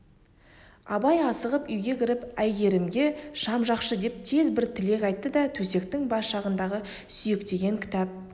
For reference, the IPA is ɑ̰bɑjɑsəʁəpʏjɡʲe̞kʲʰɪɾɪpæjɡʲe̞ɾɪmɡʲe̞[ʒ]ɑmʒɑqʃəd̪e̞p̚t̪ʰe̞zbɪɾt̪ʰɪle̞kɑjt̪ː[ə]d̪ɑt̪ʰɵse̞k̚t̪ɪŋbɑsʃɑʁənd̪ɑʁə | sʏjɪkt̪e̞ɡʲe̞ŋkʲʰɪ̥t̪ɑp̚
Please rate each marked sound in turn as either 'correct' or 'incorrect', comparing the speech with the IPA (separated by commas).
incorrect, correct